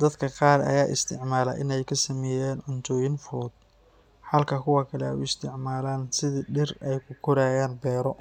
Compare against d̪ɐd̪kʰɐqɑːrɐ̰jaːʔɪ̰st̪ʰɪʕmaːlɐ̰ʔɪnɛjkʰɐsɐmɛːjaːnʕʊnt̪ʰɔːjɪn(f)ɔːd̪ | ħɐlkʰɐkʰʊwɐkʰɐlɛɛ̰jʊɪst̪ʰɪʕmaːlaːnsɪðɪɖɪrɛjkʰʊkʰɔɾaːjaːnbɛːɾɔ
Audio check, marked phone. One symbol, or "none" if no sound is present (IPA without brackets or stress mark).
f